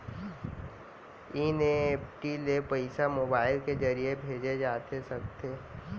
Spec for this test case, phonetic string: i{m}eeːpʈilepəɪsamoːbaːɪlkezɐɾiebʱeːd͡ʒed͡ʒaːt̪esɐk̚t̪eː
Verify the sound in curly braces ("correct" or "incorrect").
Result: incorrect